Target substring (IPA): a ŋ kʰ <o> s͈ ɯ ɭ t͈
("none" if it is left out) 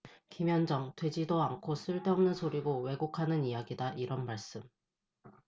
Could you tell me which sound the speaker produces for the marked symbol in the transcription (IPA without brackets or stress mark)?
o